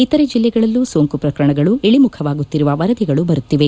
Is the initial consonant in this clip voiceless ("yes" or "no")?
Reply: yes